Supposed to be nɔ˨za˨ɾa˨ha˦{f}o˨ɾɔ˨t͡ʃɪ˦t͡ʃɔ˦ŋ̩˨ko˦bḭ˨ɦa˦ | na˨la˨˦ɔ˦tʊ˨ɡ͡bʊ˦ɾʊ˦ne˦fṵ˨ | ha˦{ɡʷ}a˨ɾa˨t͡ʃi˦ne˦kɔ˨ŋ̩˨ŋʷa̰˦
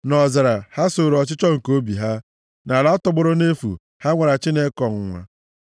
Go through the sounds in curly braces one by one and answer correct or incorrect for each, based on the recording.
incorrect: s, incorrect: ŋʷ

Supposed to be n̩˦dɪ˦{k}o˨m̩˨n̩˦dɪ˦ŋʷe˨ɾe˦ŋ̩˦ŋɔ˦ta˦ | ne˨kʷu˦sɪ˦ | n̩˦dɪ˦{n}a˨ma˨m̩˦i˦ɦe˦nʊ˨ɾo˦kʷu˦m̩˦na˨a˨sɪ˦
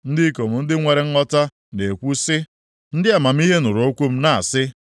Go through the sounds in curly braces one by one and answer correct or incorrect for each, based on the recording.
correct, incorrect: none

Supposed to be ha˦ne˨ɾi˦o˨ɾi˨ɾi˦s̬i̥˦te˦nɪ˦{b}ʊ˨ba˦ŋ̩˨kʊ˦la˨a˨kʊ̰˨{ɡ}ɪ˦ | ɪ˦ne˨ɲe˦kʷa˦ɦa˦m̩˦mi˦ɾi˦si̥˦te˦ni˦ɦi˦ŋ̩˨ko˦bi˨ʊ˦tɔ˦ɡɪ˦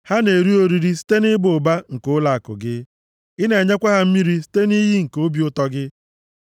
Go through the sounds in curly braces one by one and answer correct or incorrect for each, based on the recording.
correct, correct

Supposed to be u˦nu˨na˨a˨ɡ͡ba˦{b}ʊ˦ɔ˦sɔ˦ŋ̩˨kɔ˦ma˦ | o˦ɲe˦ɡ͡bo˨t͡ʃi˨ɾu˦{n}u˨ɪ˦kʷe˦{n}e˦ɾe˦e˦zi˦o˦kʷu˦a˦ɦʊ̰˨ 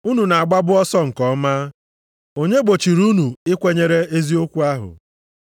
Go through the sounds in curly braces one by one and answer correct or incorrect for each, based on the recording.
correct, correct, incorrect: ɲ

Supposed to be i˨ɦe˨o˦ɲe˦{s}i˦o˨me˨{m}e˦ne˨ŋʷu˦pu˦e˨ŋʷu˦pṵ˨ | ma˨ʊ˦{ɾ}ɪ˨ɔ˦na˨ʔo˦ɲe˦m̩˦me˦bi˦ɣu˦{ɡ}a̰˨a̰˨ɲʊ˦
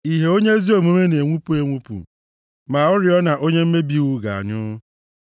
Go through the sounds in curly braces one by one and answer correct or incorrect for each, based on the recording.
incorrect: z, correct, correct, correct

